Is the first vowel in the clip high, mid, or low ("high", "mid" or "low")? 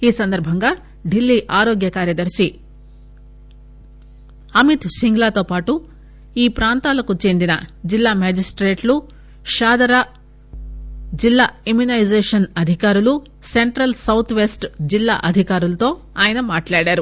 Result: high